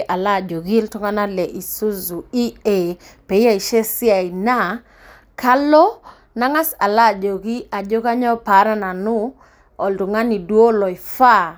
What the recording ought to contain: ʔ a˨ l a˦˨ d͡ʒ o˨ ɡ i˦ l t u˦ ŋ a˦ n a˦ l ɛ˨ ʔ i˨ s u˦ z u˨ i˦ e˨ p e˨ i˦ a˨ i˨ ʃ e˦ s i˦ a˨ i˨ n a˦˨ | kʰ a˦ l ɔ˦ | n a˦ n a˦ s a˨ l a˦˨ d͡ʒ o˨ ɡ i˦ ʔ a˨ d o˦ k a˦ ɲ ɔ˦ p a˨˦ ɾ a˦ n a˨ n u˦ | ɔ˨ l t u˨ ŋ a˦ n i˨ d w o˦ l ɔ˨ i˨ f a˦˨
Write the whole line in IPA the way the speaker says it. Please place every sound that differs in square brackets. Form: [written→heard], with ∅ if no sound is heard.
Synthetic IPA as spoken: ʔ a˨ l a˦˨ d͡ʒ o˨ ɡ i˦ l t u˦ ŋ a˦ n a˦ l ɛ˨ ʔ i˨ s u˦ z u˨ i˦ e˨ p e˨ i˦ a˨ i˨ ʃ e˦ s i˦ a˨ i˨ n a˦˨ | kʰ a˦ l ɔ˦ | n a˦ [n→ŋ] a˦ s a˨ l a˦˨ d͡ʒ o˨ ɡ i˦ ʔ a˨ [d→d͡ʒ] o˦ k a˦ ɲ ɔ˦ p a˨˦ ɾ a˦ n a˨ n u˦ | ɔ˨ l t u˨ ŋ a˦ n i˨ d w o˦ l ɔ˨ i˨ f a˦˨